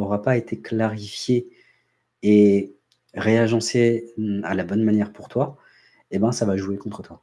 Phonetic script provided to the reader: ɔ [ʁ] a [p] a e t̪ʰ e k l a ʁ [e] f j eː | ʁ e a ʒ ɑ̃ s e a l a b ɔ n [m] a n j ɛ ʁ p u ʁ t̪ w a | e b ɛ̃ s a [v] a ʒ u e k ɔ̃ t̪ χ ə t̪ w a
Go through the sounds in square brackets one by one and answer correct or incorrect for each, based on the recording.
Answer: correct, correct, incorrect, correct, correct

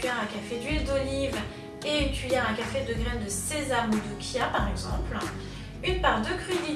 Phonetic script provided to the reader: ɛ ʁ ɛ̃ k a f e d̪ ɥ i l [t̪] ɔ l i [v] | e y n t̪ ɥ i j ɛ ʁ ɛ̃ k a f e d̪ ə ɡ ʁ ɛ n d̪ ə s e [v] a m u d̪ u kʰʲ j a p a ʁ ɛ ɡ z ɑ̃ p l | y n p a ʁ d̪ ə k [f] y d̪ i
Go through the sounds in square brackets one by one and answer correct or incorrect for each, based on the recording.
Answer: incorrect, correct, incorrect, incorrect

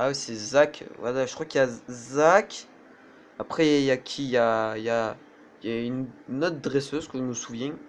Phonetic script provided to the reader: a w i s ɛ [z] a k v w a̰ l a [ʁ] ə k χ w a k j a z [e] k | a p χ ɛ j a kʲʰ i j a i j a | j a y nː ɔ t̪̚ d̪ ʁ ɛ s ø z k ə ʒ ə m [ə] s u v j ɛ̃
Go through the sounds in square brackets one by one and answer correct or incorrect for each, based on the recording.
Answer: correct, incorrect, incorrect, correct

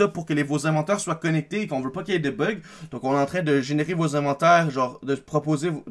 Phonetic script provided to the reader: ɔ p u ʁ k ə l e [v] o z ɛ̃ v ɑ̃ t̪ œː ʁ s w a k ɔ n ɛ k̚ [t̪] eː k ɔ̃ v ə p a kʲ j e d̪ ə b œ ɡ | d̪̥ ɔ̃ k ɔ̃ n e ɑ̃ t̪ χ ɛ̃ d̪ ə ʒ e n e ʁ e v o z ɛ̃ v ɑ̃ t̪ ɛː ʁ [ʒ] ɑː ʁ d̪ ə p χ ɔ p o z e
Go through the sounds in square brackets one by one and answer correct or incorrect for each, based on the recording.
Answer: correct, correct, correct

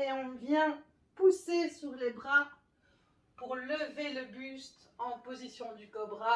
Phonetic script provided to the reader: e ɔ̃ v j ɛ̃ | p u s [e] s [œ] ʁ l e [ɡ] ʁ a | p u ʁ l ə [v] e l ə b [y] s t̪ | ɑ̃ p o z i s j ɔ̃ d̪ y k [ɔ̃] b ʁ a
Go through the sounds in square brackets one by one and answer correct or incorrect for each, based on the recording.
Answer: correct, incorrect, incorrect, correct, correct, incorrect

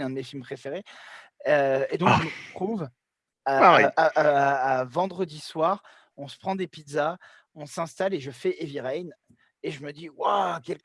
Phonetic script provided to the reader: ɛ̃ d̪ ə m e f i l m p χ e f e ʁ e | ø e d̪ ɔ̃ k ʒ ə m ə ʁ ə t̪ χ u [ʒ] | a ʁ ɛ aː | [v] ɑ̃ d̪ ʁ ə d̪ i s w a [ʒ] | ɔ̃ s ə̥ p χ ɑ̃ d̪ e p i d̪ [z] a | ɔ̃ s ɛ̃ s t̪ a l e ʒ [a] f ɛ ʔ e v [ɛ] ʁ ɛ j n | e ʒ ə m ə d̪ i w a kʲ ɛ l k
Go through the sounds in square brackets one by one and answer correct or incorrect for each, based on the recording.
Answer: incorrect, correct, incorrect, correct, incorrect, incorrect

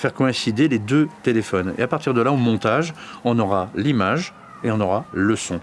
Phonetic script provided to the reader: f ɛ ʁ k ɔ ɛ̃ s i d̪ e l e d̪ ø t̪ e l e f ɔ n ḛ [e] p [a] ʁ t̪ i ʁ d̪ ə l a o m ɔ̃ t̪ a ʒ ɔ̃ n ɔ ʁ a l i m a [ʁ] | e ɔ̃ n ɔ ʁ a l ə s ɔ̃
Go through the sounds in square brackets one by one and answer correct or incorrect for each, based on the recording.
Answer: incorrect, correct, incorrect

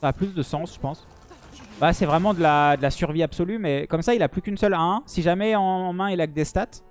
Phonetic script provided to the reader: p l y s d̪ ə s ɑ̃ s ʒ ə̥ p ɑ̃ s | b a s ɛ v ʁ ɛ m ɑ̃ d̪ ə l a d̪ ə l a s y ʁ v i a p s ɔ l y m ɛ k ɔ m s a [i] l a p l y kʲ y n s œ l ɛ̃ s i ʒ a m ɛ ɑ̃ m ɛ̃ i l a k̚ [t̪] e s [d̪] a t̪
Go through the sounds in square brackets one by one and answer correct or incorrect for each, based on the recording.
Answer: correct, incorrect, incorrect

